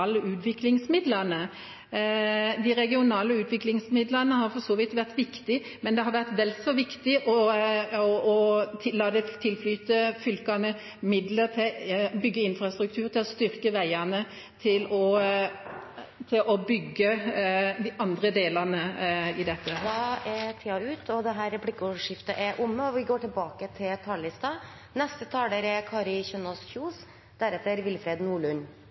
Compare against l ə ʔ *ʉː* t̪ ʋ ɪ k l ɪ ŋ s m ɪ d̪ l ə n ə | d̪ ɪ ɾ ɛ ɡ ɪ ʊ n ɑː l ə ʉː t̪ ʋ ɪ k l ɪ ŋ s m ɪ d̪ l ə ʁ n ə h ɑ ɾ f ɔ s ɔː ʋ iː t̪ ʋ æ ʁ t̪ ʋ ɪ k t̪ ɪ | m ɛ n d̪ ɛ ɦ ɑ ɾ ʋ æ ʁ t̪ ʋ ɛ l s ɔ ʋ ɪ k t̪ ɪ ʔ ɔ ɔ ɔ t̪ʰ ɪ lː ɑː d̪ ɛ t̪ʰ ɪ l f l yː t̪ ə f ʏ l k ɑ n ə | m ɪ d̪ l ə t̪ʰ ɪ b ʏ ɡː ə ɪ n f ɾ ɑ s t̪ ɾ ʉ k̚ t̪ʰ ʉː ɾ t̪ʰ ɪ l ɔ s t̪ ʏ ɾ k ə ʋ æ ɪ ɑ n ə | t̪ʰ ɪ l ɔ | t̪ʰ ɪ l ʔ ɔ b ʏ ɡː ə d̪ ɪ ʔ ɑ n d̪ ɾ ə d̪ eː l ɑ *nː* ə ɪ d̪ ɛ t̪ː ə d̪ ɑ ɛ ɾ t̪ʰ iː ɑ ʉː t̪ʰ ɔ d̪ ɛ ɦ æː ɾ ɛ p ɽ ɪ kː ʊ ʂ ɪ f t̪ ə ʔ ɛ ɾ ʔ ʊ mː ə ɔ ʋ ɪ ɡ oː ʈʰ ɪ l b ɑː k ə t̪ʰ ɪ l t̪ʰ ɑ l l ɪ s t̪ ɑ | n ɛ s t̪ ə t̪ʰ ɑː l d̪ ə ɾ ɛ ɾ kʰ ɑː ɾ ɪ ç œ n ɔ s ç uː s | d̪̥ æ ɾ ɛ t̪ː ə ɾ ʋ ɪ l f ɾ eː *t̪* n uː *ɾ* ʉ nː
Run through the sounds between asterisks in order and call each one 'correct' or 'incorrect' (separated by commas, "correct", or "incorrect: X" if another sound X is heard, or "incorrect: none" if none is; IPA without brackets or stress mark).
correct, incorrect: n, incorrect: d̪, incorrect: ɭ